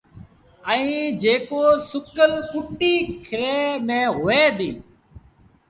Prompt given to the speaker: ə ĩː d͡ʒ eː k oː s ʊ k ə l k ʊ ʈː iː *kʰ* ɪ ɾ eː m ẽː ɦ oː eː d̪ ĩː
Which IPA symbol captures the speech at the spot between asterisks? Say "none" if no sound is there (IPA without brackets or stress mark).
kʰ